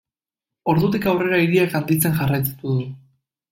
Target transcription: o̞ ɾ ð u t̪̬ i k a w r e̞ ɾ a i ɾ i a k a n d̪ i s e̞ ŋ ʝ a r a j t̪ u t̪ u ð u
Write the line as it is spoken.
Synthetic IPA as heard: o̞ ɾ ð u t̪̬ i k a w r e̞ ɾ a i ɾ i a k a n d̪ i t͡s e̞ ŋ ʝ a r a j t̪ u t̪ u ð u